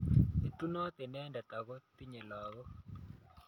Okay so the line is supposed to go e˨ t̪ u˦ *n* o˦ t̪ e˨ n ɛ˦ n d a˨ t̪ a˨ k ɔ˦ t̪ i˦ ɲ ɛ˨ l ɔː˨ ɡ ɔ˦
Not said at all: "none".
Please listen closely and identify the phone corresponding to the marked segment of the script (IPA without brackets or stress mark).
n